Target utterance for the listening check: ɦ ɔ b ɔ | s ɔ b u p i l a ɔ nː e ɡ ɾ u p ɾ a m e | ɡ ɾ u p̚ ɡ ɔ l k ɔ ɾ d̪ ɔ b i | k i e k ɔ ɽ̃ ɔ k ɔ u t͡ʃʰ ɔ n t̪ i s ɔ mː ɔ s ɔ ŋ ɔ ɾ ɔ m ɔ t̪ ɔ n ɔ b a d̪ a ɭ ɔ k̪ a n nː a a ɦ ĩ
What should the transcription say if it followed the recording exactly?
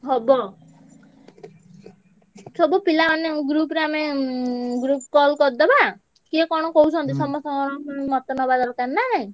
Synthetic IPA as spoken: ɦ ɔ b ɔ | s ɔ b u p i l a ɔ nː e ɡ ɾ u p ɾ a m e | ɡ ɾ u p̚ k ɔ l k ɔ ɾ d̪ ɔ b a | k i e k ɔ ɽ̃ ɔ k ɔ u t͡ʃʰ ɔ n t̪ i s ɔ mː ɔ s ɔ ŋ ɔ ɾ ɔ m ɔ t̪ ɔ n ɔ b a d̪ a ɾ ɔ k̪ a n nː a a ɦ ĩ